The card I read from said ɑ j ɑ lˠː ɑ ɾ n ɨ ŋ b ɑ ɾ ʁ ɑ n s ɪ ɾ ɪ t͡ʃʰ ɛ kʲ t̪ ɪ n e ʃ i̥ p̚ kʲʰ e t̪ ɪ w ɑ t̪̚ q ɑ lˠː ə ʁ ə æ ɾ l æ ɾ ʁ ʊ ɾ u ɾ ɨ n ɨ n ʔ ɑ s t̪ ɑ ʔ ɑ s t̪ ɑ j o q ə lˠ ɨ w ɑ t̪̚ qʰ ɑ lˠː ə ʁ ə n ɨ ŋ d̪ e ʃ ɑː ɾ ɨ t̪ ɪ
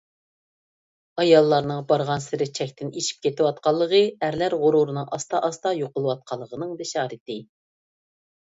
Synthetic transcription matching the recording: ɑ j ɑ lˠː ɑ ɾ n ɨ ŋ b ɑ ɾ ʁ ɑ n s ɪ ɾ ɪ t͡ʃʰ ɛ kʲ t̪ ɪ n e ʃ i̥ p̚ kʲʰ e t̪ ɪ w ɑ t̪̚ q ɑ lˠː ə ʁ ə æ ɾ l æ ɾ ʁ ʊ ɾ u ɾ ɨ n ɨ ŋ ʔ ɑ s t̪ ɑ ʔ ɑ s t̪ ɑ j o q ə lˠ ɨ w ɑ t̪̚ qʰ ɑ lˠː ə ʁ ə n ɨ ŋ d̪ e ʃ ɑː ɾ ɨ t̪ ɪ